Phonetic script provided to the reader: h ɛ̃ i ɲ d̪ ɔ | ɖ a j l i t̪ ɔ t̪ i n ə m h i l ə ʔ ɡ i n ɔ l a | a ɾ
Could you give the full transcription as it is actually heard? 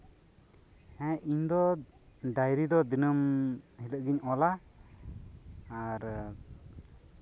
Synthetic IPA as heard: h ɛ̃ i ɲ d̪ ɔ | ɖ a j ɾ i d̪ ɔ d̪ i n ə m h i l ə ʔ ɡ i ɲ ɔ l a | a ɾ